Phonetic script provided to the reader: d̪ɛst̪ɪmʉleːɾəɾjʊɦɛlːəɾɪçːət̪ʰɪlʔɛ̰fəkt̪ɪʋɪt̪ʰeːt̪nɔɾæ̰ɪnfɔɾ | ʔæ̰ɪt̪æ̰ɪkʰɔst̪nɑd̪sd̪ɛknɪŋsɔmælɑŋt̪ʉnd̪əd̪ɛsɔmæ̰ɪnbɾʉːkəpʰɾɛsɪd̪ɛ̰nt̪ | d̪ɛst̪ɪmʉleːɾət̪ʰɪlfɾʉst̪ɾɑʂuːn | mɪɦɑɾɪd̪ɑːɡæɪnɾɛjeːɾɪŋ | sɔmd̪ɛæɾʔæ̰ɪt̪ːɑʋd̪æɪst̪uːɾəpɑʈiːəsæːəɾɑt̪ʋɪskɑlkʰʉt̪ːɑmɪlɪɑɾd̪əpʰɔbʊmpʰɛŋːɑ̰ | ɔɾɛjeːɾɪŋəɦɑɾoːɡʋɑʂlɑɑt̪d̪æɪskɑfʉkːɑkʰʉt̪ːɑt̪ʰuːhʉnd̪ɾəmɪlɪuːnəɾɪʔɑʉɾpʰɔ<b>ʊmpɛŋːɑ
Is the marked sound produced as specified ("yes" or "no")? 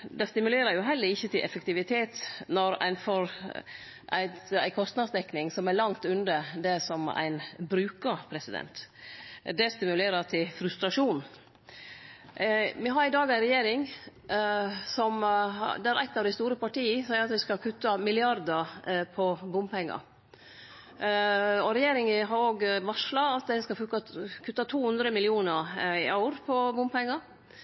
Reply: yes